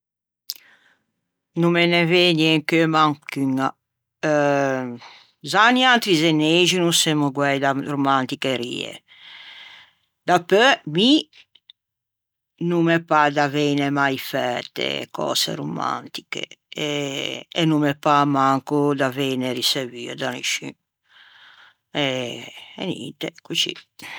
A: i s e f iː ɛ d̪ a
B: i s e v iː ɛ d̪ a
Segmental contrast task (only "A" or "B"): B